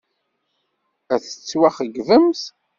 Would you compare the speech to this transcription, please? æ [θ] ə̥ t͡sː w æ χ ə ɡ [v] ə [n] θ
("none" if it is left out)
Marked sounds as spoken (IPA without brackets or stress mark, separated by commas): θ, v, m